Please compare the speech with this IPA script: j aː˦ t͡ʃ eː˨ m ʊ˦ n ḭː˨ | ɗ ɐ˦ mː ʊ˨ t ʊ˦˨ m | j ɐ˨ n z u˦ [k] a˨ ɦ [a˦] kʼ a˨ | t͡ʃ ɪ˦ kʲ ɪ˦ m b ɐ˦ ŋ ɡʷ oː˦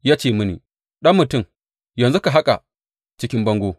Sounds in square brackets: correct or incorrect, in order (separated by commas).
correct, correct